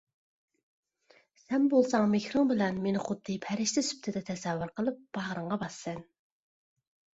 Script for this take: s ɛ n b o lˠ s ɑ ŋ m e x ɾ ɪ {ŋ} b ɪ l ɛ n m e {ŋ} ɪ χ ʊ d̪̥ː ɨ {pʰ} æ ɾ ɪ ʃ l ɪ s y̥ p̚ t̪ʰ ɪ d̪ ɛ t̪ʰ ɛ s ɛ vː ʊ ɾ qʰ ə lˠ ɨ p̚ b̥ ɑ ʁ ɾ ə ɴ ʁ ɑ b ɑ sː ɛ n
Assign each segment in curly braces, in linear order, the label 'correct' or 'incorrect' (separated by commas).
correct, incorrect, correct